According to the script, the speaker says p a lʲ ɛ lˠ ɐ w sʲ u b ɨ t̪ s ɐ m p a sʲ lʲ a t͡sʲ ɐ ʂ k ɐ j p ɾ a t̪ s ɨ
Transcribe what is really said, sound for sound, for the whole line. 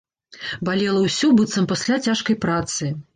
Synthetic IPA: b a lʲ ɛ lˠ ɐ w sʲ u b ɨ t̪ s ɐ m p a sʲ lʲ a t͡sʲ a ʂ k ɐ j p ɾ a t̪ s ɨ